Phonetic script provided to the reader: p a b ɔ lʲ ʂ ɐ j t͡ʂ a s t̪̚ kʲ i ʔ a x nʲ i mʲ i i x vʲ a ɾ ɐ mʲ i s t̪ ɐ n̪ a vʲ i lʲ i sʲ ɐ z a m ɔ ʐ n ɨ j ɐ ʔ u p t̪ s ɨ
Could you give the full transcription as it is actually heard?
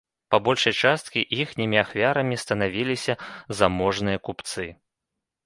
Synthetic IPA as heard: p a b ɔ lʲ ʂ ɐ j t͡ʂ a s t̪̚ kʲ i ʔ i x nʲ i mʲ i a x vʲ a ɾ ɐ mʲ i s t̪ ɐ n̪ a vʲ i lʲ i sʲ ɐ z a m ɔ ʐ n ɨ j ɐ k u p t̪ s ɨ